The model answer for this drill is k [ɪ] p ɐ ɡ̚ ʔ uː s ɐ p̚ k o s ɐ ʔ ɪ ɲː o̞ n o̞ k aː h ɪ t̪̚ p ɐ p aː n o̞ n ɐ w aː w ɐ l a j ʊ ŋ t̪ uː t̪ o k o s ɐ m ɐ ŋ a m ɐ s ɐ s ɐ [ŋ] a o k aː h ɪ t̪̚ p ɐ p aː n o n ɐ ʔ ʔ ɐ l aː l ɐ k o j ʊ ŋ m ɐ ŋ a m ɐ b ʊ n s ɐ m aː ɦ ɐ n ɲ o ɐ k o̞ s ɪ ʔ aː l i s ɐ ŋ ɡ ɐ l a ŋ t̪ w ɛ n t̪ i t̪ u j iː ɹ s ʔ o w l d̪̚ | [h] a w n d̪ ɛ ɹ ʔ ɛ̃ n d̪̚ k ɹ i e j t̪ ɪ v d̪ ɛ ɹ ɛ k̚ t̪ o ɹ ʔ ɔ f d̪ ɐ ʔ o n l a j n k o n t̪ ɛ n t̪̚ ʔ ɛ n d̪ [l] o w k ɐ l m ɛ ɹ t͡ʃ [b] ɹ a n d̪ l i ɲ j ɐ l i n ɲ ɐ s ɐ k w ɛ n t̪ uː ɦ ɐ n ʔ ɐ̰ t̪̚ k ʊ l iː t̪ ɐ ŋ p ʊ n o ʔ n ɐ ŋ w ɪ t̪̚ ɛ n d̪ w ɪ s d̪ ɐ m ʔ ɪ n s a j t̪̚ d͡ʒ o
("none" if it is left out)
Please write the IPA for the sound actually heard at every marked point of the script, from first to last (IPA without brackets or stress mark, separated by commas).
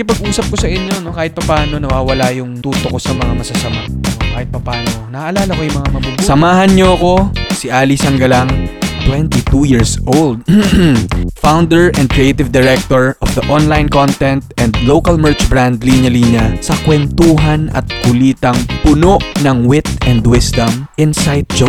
ɪ, m, f, l, b